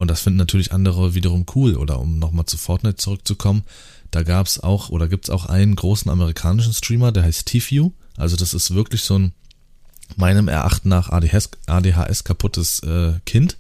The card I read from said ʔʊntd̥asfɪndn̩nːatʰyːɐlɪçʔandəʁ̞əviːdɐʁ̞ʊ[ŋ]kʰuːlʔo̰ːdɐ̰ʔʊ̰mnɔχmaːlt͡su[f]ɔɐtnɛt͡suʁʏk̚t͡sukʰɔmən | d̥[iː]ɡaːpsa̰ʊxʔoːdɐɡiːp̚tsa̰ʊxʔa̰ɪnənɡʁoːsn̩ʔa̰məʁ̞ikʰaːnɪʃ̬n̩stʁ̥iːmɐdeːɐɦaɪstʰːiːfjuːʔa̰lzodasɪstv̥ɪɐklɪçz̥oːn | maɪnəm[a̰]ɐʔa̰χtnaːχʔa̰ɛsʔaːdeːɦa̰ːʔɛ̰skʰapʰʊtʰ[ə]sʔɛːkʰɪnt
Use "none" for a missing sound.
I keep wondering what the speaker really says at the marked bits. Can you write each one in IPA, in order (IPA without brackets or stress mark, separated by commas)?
m, f, aː, ɛ̰, ə